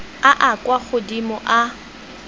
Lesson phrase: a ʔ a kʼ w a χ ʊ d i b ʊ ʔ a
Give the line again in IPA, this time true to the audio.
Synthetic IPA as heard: a ʔ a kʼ w a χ ʊ d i m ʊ ʔ a